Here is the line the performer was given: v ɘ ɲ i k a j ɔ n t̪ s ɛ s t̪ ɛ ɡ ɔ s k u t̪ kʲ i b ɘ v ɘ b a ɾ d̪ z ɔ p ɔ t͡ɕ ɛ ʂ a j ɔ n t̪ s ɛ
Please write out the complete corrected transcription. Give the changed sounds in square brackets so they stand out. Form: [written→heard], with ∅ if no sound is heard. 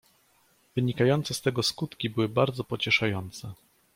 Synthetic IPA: v ɘ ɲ i k a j ɔ n t̪ s ɛ s t̪ ɛ ɡ ɔ s k u t̪ kʲ i b ɘ [v→w] ɘ b a ɾ d̪ z ɔ p ɔ t͡ɕ ɛ ʂ a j ɔ n t̪ s ɛ

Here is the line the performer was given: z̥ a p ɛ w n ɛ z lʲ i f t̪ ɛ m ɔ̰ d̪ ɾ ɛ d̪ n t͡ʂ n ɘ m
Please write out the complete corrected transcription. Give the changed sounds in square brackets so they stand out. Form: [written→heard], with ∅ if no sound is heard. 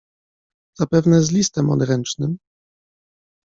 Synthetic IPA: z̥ a p ɛ [w→v] n ɛ z lʲ i [f→s] t̪ ɛ m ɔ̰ d̪ ɾ ɛ [d̪→∅] n t͡ʂ n ɘ m

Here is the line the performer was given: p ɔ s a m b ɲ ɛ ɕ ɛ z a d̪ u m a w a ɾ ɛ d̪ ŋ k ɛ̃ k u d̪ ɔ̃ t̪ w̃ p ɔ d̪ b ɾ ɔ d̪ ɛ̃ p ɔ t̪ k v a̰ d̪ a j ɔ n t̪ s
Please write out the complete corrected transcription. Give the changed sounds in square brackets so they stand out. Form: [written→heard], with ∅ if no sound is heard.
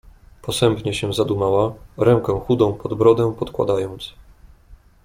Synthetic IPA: p ɔ s [a→ɛ] m [b→p] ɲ ɛ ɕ ɛ z a d̪ u m a w a ɾ ɛ [d̪→∅] ŋ k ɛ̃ [k→x] u d̪ ɔ̃ [t̪→∅] w̃ p ɔ d̪ b ɾ ɔ d̪ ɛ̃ p ɔ t̪ k [v→w] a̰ d̪ a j ɔ n t̪ s

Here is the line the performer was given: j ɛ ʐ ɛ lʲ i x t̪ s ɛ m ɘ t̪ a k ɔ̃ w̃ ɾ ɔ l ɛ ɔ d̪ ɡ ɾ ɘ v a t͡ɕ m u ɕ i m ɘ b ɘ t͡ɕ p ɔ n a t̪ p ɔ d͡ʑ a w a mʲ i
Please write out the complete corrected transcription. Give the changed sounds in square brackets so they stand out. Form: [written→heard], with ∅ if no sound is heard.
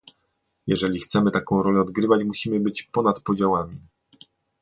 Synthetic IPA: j ɛ ʐ ɛ lʲ i x t̪ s ɛ m ɘ t̪ a k ɔ̃ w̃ ɾ ɔ l ɛ ɔ d̪ ɡ ɾ ɘ v a t͡ɕ m u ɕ i m ɘ b ɘ t͡ɕ p ɔ n a t̪ p ɔ d͡ʑ a w a mʲ i

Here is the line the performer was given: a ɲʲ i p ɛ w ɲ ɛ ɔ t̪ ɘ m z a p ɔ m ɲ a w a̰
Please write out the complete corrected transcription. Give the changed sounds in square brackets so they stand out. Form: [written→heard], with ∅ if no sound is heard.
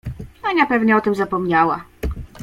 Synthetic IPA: a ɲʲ [i→a] p ɛ [w→v] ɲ ɛ ɔ t̪ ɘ m z a p ɔ m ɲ a w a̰

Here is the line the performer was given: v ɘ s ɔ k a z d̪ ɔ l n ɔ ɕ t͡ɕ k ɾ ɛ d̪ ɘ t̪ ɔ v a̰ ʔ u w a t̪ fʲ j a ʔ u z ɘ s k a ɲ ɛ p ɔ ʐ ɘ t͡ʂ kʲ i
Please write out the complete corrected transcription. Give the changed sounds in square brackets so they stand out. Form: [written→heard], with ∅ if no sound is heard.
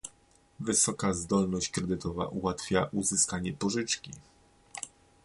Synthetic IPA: v ɘ s ɔ k a z d̪ ɔ l n ɔ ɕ t͡ɕ k ɾ ɛ d̪ ɘ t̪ ɔ v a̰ ʔ u w a t̪ fʲ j a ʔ u z ɘ s k a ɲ ɛ p ɔ ʐ ɘ t͡ʂ kʲ i

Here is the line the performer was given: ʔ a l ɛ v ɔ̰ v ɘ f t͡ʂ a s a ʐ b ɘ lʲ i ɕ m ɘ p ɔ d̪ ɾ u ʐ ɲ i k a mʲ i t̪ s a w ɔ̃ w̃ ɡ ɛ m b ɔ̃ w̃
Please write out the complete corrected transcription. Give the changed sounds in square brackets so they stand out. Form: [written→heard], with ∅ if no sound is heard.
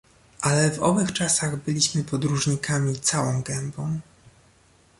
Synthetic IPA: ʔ a l ɛ v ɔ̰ v ɘ [f→x] t͡ʂ a s a [ʐ→ɣ] b ɘ lʲ i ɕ m ɘ p ɔ d̪ ɾ u ʐ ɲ i k a mʲ i t̪ s a w ɔ̃ w̃ ɡ ɛ m b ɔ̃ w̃

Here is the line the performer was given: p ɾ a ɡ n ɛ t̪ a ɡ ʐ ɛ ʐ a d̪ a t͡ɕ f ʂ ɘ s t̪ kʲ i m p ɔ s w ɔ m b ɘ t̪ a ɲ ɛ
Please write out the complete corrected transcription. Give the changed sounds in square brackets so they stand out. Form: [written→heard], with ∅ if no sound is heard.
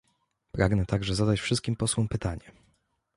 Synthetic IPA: p ɾ a ɡ n ɛ t̪ a ɡ ʐ ɛ [ʐ→z] a d̪ a t͡ɕ f ʂ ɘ s t̪ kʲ i m p ɔ s w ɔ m [b→p] ɘ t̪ a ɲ ɛ

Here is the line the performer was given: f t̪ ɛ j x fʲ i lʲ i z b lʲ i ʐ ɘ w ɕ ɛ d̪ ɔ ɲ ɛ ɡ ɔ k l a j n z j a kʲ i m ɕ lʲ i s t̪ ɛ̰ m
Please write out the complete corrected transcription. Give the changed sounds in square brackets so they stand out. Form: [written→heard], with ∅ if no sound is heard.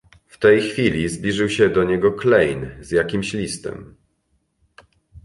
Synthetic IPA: f t̪ ɛ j x fʲ i lʲ i z b lʲ i ʐ ɘ w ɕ ɛ d̪ ɔ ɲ ɛ ɡ ɔ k l [a→ɛ] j n z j a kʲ i m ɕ lʲ i s t̪ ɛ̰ m

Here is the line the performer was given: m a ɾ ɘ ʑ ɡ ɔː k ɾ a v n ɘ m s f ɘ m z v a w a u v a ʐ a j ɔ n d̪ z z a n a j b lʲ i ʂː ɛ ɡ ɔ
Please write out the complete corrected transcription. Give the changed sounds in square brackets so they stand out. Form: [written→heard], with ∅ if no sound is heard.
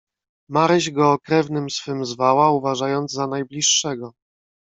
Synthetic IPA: m a ɾ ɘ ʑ ɡ ɔː k ɾ [a→ɛ] v n ɘ m s f ɘ m z v a w a u v a ʐ a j ɔ n d̪ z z a n a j b lʲ i ʂː ɛ ɡ ɔ

